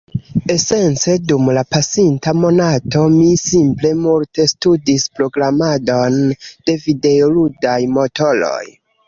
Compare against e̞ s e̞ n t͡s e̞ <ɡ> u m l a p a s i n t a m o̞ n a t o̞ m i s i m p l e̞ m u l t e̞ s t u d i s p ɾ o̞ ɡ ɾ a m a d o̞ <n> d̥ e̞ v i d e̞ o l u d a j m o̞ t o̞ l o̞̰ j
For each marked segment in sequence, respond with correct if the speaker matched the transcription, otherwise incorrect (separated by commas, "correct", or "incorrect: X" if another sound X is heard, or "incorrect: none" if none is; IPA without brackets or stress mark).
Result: incorrect: d, correct